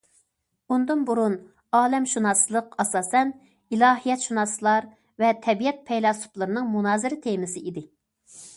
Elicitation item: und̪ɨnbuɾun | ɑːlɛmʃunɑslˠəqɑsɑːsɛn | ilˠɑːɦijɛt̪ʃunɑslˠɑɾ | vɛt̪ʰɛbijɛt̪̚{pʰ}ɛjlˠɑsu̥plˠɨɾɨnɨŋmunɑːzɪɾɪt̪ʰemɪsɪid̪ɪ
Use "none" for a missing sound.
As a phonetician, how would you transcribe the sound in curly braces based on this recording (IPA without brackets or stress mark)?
pʰ